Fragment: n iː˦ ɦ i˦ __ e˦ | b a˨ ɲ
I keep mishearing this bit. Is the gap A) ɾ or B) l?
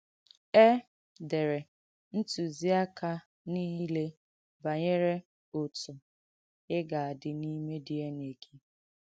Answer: B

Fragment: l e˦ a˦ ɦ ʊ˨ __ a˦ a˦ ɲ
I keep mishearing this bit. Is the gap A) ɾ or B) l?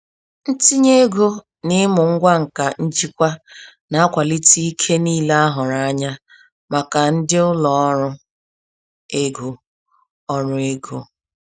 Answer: A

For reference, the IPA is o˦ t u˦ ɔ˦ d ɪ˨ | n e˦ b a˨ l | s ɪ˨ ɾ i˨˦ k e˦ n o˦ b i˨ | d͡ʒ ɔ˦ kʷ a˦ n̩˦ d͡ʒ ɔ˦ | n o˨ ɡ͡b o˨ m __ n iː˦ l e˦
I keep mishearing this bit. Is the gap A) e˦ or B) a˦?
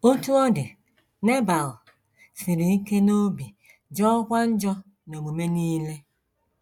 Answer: A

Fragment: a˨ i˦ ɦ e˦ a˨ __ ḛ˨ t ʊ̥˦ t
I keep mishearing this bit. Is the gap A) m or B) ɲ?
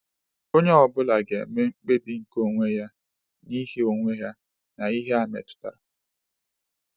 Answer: A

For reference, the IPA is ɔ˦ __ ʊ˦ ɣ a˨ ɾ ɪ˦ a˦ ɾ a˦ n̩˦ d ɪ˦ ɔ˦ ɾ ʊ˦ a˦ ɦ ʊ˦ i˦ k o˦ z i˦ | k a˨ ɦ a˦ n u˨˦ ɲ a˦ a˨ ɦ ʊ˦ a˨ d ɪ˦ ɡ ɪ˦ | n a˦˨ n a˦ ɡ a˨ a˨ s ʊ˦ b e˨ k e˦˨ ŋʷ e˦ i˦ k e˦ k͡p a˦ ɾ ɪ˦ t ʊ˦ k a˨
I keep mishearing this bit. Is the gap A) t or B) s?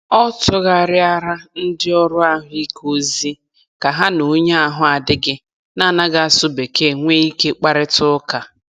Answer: A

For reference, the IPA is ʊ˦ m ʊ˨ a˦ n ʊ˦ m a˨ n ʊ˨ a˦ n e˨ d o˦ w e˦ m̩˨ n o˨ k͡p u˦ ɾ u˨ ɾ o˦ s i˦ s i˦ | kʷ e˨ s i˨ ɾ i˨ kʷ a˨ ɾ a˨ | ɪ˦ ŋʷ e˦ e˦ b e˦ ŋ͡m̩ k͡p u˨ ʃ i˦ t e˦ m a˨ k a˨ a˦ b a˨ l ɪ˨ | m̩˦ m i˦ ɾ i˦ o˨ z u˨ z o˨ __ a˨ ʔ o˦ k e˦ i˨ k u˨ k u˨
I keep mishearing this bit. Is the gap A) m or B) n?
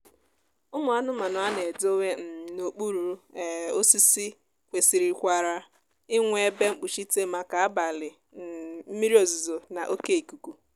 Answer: B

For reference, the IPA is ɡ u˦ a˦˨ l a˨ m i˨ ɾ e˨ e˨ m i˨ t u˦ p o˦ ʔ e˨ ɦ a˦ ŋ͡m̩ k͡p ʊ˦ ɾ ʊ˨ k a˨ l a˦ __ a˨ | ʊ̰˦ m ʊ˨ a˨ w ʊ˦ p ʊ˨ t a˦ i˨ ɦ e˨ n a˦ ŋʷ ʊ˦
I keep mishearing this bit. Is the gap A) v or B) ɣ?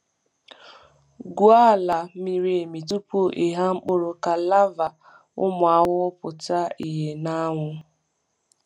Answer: A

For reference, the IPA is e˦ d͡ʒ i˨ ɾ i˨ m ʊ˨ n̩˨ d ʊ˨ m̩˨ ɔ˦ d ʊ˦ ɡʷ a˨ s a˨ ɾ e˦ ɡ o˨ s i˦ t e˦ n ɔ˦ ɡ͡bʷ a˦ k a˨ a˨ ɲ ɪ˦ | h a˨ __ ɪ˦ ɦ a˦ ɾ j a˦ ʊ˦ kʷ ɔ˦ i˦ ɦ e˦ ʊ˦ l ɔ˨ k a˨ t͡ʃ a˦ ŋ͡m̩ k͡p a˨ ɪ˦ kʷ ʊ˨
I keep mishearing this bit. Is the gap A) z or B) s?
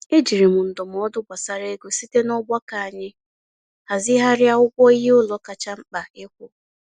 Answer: A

